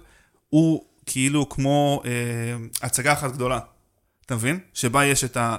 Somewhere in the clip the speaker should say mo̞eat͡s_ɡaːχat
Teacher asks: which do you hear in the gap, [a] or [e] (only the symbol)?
a